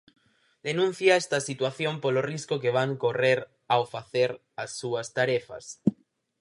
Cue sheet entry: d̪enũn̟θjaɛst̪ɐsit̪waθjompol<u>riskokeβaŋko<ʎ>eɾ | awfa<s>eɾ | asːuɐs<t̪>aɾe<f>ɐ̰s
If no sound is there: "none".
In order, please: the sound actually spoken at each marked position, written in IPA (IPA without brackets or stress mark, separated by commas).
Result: o, r, θ, t̪, f